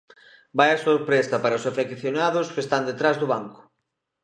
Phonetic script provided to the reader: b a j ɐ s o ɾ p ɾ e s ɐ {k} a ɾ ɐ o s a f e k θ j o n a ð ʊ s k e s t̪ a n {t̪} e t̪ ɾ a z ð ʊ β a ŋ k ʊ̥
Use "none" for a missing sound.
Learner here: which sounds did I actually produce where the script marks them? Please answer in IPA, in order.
p, d̪

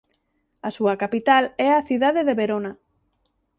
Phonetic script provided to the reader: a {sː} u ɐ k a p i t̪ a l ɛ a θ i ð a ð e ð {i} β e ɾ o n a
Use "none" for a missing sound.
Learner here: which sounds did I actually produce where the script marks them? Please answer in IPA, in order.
s, e

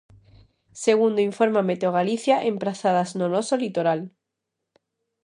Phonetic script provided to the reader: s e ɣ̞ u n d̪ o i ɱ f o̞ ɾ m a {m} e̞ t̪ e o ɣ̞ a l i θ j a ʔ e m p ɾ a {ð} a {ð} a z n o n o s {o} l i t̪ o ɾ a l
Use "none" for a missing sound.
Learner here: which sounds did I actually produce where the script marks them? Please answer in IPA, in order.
m, θ, ð, o

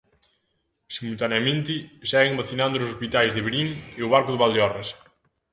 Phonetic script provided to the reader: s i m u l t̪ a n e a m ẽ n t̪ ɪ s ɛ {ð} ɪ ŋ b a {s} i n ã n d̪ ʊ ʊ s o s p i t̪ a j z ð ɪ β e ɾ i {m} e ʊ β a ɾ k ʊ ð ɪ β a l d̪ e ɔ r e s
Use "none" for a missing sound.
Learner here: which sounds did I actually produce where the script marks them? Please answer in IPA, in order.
ɣ, θ, ŋ

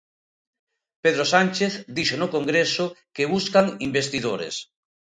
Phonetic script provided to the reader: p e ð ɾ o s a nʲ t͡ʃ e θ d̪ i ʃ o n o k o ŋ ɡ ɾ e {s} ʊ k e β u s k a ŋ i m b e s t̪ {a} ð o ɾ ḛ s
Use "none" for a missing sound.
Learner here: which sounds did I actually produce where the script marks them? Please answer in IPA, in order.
s, i

